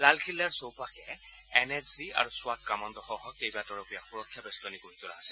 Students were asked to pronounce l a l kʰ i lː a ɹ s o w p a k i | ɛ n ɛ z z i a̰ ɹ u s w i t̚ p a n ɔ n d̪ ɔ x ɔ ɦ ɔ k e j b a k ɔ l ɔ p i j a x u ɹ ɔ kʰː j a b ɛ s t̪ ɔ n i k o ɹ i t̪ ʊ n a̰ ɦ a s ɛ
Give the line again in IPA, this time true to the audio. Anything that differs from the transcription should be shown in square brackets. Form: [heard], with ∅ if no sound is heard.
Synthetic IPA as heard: l a l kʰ i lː a ɹ s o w p a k [ɛ] | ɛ n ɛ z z i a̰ ɹ u s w [a] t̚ [k] a [m] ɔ n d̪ ɔ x ɔ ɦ ɔ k e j b a [t] ɔ [ɹ] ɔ p i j a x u ɹ ɔ kʰː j a b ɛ s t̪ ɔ n i k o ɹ i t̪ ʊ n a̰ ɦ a s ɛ